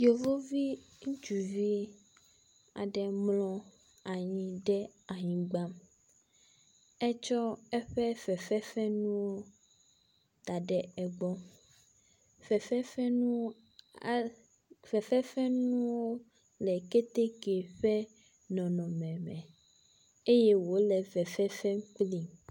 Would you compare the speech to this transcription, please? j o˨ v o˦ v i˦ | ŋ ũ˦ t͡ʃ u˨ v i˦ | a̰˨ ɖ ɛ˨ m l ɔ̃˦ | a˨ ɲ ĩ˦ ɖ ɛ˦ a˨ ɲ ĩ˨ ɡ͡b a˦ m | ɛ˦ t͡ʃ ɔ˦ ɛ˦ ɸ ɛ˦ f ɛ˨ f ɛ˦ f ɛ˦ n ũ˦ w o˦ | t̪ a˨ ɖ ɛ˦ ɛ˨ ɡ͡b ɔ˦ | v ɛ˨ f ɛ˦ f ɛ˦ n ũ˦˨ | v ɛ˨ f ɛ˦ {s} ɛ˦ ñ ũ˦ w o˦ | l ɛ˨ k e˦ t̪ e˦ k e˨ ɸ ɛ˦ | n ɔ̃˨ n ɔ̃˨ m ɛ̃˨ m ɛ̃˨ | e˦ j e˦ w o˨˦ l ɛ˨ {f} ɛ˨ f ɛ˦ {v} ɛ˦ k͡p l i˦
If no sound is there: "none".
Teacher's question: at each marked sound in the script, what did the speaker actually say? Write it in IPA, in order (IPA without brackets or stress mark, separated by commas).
f, v, f